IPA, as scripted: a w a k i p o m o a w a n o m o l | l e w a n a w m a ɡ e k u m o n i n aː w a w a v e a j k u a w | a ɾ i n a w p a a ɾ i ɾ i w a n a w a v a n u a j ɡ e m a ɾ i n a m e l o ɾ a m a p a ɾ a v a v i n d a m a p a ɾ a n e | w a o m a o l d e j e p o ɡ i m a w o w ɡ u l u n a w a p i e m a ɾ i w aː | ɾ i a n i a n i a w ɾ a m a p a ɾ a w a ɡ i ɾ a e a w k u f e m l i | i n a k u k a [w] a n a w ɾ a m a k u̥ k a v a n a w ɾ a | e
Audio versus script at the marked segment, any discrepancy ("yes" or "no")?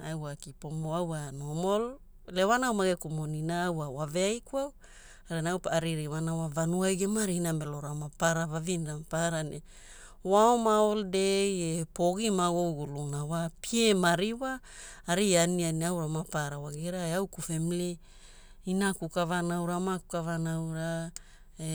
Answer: yes